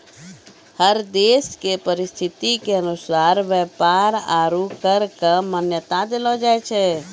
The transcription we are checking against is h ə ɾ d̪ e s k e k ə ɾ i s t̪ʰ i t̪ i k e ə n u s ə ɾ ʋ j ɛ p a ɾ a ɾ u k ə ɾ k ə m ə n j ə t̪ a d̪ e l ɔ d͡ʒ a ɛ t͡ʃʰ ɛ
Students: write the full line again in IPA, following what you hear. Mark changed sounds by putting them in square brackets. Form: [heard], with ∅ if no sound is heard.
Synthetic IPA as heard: h ə ɾ d̪ e s k e [p] ə ɾ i s t̪ʰ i t̪ i k e ə n u s [a] ɾ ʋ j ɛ p a ɾ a ɾ u k ə ɾ k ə m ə n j ə t̪ a d̪ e l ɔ d͡ʒ a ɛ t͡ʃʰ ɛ